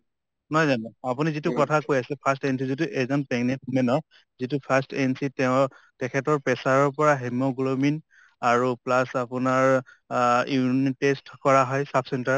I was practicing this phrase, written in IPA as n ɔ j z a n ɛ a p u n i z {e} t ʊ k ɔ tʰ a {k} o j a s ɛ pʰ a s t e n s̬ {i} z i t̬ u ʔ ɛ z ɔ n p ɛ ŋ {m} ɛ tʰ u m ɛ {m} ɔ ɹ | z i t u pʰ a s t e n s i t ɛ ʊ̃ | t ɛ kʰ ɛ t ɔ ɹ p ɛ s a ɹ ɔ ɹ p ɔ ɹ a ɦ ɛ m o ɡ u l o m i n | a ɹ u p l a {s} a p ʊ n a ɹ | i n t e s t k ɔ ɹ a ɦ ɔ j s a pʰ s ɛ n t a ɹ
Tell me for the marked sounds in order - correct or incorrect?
incorrect, correct, correct, incorrect, incorrect, correct

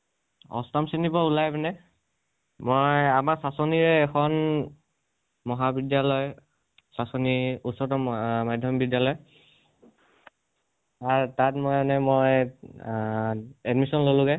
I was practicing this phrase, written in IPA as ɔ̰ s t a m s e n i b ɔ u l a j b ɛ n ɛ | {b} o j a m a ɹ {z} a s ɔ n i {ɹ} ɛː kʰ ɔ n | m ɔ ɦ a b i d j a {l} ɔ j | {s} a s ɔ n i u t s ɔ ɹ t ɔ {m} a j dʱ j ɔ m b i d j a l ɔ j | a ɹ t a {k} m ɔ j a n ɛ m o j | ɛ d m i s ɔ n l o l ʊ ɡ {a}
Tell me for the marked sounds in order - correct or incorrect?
incorrect, incorrect, correct, correct, correct, correct, incorrect, incorrect

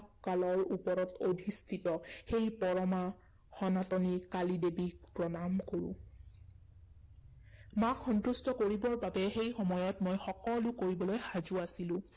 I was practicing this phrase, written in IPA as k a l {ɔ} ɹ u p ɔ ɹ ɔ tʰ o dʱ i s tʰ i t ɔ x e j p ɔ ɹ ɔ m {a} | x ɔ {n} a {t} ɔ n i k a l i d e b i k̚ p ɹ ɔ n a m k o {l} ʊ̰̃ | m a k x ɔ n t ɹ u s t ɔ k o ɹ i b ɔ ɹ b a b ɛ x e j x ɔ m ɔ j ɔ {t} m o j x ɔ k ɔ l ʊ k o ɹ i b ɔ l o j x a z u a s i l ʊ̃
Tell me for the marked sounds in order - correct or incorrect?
correct, correct, correct, correct, incorrect, correct

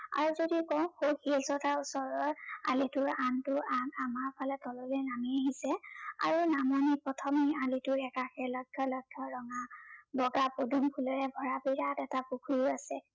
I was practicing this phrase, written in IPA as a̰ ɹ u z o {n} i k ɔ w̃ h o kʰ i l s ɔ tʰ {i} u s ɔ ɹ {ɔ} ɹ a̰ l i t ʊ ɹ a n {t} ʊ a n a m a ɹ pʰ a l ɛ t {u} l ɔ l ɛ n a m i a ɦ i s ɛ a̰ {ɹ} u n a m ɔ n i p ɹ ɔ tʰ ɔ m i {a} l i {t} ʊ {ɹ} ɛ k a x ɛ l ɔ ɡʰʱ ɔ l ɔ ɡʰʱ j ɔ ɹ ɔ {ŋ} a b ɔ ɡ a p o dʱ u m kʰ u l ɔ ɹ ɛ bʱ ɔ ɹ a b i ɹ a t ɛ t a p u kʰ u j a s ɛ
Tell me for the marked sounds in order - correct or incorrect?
incorrect, incorrect, correct, correct, incorrect, correct, correct, correct, correct, correct

